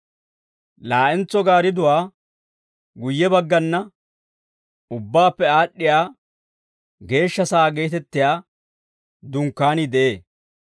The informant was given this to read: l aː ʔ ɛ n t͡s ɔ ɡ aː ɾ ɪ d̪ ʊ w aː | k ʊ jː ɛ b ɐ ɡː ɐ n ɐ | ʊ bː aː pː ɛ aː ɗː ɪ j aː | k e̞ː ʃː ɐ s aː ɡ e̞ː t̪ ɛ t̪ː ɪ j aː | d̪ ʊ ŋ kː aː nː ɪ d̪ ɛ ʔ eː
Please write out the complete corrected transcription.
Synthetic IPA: l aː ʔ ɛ n t͡s ɔ ɡ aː ɾ ɪ d̪ ʊ w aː | ɡ ʊ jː ɛ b ɐ ɡː ɐ nː ɐ | ʊ bː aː pː ɛ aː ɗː ɪ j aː | ɡ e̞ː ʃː ɐ s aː ɡ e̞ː t̪ ɛ t̪ː ɪ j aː | d̪ ʊ ŋ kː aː n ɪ d̪ ɛ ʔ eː